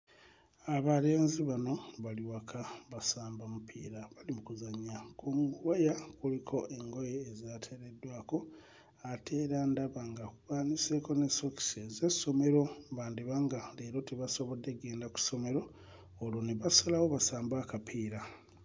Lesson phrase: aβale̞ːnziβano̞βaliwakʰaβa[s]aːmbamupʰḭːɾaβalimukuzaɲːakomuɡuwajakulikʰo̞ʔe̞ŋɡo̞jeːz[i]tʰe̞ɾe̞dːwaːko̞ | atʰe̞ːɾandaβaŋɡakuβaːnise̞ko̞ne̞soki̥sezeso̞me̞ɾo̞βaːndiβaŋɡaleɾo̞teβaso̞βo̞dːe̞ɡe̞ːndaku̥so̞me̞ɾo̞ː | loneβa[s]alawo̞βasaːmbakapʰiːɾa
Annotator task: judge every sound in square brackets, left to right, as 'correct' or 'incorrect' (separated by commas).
correct, incorrect, correct